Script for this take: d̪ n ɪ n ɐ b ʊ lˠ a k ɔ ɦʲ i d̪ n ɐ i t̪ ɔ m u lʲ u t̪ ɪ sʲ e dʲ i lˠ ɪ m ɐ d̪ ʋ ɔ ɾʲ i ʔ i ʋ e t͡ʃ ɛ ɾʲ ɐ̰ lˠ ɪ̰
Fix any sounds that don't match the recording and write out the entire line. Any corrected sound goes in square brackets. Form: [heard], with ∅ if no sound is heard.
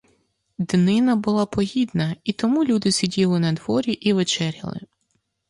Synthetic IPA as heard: d̪ n ɪ n ɐ b ʊ lˠ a [p] ɔ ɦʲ i d̪ n ɐ i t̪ ɔ m u lʲ u [d̪] ɪ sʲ [i] dʲ i lˠ ɪ [n] ɐ d̪ ʋ ɔ ɾʲ i ʔ i ʋ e t͡ʃ ɛ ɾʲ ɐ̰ lˠ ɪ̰